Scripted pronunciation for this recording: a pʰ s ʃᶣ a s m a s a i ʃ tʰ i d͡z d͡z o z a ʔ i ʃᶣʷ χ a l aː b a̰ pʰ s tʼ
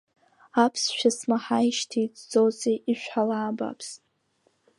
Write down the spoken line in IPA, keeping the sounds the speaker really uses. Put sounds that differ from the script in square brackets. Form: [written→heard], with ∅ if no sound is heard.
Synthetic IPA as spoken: a pʰ s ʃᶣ a s m a [s→ħ] a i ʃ tʰ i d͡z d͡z o z [a→e] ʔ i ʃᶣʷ [χ→ħ] a l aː b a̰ pʰ s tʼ